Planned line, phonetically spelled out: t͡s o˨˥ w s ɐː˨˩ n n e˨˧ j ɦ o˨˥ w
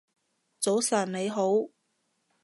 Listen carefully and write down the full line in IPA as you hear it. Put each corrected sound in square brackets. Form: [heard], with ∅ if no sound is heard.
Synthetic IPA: t͡s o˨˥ w s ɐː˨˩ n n e˨˧ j ɦ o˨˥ w